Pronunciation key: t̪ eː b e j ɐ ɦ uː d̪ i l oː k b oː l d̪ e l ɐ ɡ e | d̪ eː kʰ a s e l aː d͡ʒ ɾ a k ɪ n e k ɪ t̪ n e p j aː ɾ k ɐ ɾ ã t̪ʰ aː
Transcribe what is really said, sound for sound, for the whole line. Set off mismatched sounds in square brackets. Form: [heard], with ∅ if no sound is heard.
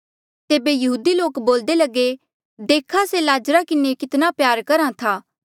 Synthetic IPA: t̪ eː b e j ɐ ɦ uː d̪ i l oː k b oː l d̪ e l ɐ ɡ e | d̪ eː kʰ a s e l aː d͡ʒ ɾ a k ɪ n e k ɪ t̪ n [a] p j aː ɾ k ɐ ɾ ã t̪ʰ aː